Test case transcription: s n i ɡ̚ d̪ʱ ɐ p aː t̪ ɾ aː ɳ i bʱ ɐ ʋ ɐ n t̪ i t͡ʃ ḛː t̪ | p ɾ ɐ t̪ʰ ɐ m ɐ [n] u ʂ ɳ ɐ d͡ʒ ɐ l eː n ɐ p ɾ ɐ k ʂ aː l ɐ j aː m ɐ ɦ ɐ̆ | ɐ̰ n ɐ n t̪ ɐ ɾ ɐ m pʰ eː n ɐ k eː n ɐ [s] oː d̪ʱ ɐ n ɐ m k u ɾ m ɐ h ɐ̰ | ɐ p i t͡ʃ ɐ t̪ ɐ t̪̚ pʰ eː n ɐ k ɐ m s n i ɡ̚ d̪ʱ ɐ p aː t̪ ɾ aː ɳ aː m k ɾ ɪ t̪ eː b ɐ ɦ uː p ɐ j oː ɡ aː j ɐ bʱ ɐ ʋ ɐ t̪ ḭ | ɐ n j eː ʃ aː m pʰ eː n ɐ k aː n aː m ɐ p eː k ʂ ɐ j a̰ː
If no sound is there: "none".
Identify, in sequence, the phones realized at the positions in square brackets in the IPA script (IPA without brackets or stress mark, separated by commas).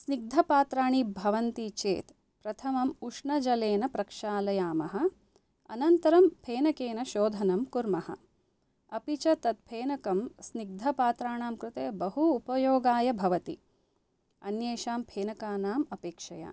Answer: m, ʃ